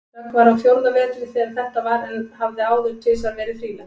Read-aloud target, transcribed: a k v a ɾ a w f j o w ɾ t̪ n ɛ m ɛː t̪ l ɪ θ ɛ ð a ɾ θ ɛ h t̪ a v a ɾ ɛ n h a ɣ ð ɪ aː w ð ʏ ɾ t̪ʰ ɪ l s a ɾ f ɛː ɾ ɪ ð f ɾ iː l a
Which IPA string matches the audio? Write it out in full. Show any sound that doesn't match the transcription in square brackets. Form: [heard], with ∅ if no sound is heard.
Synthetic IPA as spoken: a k v a ɾ a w f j o w ɾ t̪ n [a] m ɛː t̪ l ɪ θ ɛ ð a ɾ θ ɛ h t̪ a v a ɾ ɛ n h a [v] ð ɪ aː w ð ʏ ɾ t̪ʰ ɪ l s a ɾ [v] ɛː ɾ ɪ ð f ɾ iː l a